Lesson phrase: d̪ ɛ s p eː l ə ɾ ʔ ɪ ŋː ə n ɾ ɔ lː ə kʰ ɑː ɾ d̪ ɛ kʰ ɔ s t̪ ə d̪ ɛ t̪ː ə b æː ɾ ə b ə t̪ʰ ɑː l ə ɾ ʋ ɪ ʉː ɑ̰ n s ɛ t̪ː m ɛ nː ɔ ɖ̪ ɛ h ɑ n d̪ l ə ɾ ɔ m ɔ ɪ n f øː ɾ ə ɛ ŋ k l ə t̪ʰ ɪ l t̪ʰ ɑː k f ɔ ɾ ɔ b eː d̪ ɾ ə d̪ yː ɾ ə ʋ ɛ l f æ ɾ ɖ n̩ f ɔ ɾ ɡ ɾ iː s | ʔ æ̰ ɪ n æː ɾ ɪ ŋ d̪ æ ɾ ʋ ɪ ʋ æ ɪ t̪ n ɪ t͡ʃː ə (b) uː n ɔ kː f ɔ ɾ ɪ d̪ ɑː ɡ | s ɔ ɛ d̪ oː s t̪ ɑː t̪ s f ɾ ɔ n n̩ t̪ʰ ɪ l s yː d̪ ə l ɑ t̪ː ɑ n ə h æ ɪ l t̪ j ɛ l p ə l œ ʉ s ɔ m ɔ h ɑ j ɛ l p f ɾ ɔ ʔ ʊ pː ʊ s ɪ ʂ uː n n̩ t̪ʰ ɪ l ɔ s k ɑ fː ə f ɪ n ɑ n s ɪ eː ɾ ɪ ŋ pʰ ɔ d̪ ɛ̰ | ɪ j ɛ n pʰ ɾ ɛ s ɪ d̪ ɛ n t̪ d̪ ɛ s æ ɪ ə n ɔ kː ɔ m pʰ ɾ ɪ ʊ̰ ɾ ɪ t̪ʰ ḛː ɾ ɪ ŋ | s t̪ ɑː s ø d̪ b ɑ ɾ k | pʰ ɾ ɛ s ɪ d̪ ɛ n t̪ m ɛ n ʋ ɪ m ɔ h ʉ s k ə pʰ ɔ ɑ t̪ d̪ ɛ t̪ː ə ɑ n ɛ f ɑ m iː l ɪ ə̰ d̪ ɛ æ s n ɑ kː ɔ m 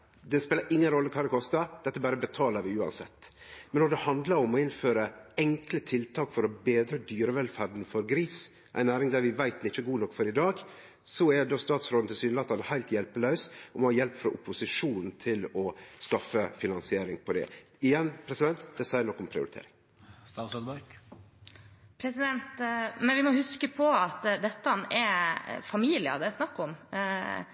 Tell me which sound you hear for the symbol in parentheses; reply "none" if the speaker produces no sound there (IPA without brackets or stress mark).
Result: ɡ